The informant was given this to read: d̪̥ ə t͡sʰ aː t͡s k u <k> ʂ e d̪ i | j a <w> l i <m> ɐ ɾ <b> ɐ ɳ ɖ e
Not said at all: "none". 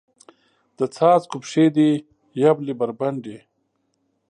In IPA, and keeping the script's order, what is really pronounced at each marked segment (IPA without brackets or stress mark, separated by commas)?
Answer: p, b, b, b